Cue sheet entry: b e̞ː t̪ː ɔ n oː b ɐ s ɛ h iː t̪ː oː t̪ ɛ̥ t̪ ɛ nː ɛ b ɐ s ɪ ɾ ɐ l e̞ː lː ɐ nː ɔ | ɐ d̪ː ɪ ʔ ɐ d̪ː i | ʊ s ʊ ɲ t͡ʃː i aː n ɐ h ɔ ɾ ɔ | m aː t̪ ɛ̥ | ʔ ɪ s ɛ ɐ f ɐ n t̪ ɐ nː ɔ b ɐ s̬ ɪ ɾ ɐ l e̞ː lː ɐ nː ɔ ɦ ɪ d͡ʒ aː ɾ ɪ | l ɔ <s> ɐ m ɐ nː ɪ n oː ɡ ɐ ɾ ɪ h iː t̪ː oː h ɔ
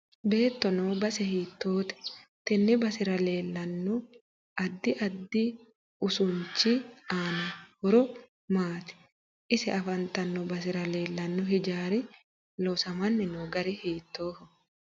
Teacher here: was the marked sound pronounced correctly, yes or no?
yes